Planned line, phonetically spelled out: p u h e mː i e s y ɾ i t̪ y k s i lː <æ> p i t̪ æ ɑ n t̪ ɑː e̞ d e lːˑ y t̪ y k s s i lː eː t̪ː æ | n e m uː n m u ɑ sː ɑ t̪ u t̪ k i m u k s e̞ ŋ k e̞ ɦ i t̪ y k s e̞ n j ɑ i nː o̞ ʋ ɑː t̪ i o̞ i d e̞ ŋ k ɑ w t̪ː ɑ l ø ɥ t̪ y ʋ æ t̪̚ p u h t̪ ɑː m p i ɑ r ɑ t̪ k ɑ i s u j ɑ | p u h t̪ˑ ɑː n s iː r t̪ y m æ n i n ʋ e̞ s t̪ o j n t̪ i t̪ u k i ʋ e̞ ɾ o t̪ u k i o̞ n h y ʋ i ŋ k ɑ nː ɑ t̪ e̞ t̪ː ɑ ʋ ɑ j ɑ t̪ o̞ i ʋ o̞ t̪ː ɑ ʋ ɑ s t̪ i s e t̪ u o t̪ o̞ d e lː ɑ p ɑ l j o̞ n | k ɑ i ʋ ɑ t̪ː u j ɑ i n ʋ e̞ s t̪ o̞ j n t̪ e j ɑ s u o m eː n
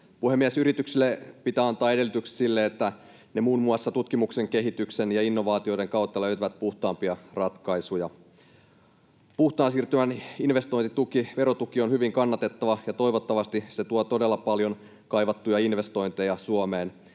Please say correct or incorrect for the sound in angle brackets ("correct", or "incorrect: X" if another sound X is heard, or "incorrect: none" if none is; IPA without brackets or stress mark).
incorrect: e